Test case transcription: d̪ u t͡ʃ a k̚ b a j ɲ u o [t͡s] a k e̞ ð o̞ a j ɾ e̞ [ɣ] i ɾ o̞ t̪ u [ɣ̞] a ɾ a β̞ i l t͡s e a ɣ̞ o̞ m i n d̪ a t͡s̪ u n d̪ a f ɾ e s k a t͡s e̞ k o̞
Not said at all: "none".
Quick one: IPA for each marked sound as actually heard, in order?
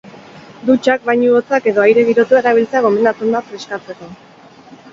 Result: t͡s, ɣ, none

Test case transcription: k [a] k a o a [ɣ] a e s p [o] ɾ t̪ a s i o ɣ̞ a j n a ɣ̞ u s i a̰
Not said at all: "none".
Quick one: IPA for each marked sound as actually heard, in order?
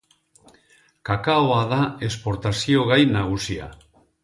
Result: a, ð, o

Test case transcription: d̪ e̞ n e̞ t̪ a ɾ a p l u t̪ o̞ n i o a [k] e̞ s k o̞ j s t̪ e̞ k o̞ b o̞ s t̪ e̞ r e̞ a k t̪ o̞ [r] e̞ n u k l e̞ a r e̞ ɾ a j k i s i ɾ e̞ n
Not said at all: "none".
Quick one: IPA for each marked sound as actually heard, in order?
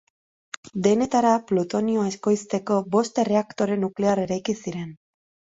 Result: none, ɾ

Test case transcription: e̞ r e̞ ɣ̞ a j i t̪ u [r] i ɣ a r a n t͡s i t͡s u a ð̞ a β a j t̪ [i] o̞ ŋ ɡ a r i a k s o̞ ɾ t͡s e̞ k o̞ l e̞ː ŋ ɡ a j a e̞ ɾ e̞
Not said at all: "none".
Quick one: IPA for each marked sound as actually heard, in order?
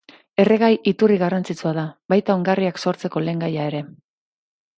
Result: r, a

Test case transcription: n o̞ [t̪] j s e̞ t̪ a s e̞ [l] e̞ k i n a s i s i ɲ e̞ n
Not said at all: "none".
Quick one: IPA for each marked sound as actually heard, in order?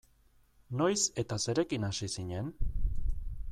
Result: none, ɾ

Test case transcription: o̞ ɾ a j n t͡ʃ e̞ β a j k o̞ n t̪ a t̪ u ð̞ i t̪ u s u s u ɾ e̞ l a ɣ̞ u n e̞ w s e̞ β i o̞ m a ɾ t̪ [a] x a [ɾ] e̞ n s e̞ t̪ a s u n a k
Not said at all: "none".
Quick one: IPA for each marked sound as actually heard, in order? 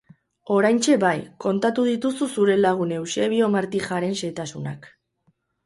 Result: i, ɾ

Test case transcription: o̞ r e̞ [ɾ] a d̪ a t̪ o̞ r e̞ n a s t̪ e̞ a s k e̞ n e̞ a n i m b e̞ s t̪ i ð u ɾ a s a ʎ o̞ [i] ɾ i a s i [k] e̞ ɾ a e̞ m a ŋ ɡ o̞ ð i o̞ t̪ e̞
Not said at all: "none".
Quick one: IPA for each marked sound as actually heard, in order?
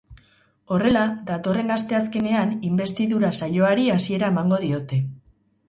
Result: l, a, none

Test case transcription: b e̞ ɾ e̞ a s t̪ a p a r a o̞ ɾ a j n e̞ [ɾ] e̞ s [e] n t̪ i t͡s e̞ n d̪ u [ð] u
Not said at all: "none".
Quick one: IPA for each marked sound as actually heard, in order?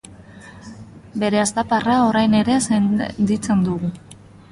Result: ɾ, e, ɣ

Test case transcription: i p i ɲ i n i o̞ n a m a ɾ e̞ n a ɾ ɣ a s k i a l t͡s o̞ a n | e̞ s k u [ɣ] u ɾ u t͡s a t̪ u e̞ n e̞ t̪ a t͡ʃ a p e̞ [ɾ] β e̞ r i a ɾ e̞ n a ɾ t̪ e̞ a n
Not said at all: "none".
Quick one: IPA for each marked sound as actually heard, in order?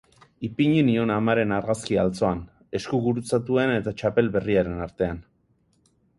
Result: ɣ, l

